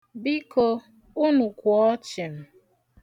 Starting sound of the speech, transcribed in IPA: b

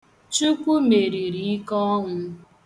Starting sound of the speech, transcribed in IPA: t͡ʃ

